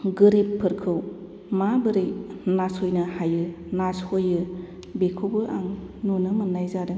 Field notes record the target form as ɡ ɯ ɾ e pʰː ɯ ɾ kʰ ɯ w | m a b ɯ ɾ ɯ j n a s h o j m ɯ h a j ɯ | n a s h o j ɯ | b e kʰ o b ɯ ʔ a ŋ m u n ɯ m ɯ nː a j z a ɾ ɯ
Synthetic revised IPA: ɡ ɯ ɾ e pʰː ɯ ɾ kʰ ɯ w | m a b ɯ ɾ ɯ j n a s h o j n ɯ h a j ɯ | n a s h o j ɯ | b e kʰ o b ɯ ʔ a ŋ n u n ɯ m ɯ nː a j z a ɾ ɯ

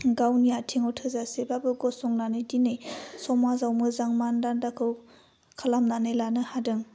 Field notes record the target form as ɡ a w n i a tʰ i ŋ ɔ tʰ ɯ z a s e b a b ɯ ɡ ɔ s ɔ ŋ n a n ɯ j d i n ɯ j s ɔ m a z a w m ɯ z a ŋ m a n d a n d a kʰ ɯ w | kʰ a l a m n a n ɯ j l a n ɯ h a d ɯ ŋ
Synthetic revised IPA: ɡ a w n i a tʰ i ŋ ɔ tʰ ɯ z a s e b a b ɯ ɡ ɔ s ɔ ŋ n a n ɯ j d i n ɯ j s ɔ m a z a w m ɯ z a ŋ m a n d a n d a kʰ ɯ w | kʰ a l a m n a n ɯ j l a n ɯ h a d ɯ ŋ

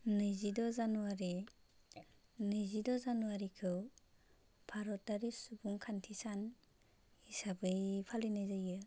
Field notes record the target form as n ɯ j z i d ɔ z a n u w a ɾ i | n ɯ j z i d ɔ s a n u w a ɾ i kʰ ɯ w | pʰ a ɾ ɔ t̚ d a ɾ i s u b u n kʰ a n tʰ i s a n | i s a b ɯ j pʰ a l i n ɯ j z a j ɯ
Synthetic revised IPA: n ɯ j z i d ɔ z a n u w a ɾ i | n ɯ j z i d ɔ z a n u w a ɾ i kʰ ɯ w | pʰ a ɾ ɔ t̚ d a ɾ i s u b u ŋ kʰ a n tʰ i s a n | i s a b ɯ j pʰ a l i n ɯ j z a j ɯ

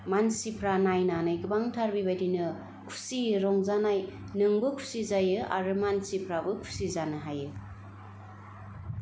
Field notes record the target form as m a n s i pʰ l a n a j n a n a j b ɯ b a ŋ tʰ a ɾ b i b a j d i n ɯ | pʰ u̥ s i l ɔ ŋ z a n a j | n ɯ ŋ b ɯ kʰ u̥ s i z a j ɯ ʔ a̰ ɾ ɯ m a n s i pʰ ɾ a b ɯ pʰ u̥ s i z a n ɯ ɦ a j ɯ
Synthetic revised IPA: m a n s i pʰ ɾ a n a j n a n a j ɡ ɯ b a ŋ tʰ a ɾ b i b a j d i n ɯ | kʰ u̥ s i ɾ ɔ ŋ z a n a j | n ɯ ŋ b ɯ kʰ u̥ s i z a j ɯ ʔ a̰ ɾ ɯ m a n s i pʰ ɾ a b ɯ kʰ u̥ s i z a n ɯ ɦ a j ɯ

